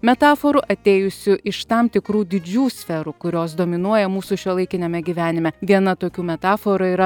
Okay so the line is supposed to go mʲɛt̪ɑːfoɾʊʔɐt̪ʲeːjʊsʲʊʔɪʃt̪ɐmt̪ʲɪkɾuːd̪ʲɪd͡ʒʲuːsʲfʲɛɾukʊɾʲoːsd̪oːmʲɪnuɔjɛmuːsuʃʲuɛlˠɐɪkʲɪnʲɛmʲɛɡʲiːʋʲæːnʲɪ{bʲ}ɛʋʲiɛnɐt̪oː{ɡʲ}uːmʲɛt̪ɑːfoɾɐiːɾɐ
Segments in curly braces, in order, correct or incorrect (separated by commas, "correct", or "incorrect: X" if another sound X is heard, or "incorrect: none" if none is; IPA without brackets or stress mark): incorrect: mʲ, incorrect: kʲ